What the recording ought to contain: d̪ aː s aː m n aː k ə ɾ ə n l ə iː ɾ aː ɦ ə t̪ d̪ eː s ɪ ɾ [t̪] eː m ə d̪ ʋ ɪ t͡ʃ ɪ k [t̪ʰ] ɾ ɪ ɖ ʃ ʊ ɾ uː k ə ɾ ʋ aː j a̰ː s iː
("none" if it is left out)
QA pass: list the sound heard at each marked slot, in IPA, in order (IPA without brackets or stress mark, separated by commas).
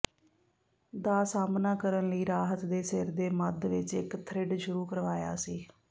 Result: d̪, t̪ʰ